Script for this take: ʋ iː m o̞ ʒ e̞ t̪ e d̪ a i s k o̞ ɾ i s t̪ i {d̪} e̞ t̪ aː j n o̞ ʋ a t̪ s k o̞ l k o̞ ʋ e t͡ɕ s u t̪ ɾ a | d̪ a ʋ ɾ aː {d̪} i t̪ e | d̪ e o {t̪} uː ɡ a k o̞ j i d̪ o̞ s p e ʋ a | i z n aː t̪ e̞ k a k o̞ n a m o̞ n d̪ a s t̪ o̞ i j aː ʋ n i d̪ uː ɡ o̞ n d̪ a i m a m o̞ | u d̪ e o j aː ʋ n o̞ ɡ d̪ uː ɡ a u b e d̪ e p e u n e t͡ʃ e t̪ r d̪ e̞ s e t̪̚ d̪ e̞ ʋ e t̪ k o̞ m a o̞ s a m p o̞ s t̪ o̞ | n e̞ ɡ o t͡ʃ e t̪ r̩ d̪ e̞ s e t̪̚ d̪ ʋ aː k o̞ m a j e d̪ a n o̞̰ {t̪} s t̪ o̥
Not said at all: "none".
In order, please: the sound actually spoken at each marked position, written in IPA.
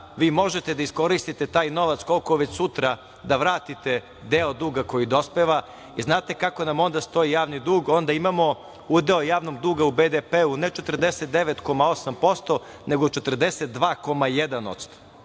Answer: t̪, t̪, d̪, t̪

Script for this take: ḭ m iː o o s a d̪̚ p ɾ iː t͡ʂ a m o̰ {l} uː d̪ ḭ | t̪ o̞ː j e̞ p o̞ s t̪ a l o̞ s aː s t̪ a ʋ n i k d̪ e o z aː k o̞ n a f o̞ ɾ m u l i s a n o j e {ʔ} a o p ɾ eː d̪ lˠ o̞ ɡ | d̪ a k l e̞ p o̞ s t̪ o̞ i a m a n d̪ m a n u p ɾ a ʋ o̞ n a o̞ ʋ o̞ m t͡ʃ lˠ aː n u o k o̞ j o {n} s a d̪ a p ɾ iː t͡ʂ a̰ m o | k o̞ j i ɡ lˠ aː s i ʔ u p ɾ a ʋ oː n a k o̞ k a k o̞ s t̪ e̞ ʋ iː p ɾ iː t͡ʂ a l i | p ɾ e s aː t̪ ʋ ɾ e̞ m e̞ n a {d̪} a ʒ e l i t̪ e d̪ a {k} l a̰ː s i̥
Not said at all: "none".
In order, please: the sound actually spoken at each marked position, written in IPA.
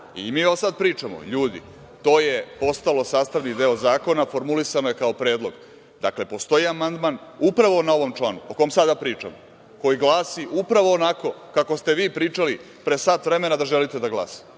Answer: ʎ, k, m, d̪, ɡ

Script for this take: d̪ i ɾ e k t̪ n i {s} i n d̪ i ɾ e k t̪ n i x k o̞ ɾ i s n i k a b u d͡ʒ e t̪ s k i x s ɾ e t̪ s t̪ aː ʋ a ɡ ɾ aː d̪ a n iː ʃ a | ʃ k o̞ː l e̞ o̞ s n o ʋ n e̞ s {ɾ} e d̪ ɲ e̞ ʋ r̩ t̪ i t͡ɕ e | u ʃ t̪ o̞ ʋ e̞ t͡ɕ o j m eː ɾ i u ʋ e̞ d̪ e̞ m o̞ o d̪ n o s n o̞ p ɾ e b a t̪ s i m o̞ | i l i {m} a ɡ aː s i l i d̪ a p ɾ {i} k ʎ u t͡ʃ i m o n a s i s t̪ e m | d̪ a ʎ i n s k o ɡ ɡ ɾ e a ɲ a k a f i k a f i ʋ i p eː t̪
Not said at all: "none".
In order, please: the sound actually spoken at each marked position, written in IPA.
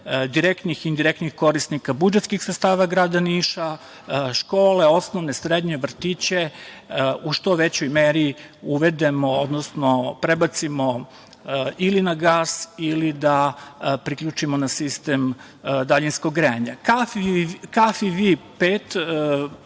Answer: x, ɾ, n, i

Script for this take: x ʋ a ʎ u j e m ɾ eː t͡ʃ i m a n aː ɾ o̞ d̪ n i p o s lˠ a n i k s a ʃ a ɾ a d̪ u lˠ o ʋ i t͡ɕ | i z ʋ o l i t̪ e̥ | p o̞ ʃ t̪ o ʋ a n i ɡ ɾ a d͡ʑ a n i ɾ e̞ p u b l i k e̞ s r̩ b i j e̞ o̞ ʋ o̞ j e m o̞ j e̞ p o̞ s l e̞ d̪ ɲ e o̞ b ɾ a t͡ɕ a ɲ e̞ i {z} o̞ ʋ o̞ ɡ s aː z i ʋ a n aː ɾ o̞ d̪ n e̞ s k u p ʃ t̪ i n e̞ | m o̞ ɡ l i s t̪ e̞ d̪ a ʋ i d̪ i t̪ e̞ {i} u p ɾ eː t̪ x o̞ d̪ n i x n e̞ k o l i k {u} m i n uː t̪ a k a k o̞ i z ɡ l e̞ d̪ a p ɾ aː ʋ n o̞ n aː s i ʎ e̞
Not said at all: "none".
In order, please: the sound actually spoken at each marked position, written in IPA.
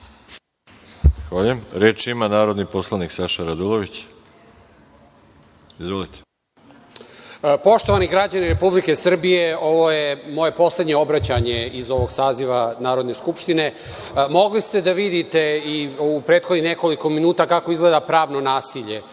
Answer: z, i, o

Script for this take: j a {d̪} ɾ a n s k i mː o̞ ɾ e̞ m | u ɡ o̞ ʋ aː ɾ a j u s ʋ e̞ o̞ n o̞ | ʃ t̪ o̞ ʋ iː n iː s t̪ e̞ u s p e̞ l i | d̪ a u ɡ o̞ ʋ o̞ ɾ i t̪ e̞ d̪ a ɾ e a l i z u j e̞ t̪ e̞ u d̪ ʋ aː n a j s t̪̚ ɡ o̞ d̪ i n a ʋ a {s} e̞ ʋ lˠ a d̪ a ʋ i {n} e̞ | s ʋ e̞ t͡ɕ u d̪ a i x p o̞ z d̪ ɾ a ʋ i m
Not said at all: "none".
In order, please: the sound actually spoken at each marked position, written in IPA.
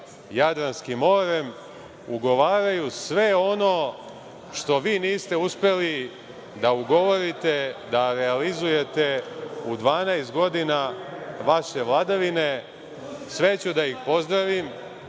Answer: d̪, ʃ, n

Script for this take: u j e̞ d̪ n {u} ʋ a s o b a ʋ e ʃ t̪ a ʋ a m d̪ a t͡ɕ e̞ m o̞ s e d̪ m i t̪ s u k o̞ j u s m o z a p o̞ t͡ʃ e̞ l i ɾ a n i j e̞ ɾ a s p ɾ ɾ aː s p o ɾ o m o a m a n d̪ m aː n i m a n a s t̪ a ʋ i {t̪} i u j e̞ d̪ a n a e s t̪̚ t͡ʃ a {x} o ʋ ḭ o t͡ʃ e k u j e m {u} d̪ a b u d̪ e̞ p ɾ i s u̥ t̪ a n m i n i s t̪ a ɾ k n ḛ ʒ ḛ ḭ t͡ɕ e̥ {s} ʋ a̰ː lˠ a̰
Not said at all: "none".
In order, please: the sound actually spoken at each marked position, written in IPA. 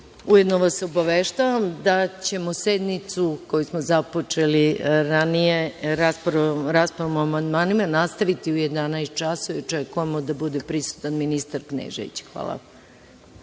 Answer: o, t̪, s, o, x

